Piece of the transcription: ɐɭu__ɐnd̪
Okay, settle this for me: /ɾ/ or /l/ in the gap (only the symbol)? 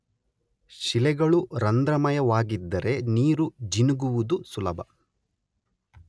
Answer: ɾ